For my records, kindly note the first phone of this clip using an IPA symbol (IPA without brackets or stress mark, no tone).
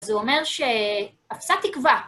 z